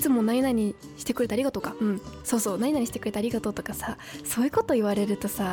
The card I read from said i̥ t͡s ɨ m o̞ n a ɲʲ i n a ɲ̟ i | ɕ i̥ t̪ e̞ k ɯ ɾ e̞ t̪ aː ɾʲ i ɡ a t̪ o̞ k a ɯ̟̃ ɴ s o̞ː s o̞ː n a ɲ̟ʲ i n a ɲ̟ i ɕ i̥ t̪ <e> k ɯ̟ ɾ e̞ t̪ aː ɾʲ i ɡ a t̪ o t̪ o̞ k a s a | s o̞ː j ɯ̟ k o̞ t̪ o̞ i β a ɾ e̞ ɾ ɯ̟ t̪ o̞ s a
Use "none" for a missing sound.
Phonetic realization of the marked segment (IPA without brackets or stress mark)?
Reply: e